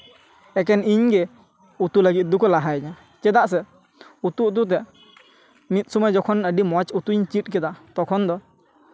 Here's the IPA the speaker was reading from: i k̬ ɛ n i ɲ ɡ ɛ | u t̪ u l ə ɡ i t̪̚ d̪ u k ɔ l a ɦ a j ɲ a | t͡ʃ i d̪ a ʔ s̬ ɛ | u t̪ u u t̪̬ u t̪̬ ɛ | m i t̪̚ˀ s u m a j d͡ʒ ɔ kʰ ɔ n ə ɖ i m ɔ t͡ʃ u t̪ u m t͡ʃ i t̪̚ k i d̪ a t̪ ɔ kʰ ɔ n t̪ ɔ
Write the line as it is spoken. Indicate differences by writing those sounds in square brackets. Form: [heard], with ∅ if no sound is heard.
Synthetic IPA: [ɛ] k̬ ɛ n i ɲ ɡ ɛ | u t̪ u l ə ɡ i t̪̚ d̪ u k ɔ l a ɦ a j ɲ a | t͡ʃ [ɛ] d̪ a ʔ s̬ ɛ | u t̪ u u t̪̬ u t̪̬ ɛ | m i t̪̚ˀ s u m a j d͡ʒ ɔ kʰ ɔ n ə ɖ i m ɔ t͡ʃ u t̪ u [ɲ] t͡ʃ i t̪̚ k [ɛ] d̪ a t̪ ɔ kʰ ɔ n [d̪] ɔ